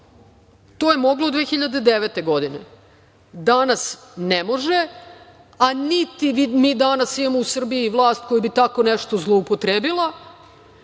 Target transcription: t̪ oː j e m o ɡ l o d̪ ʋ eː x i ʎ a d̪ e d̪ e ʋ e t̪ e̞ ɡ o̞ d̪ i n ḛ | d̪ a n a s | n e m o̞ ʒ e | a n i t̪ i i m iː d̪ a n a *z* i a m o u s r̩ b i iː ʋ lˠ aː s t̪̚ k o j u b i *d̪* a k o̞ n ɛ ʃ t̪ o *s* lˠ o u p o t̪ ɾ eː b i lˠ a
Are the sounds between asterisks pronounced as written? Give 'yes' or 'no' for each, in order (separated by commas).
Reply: no, no, no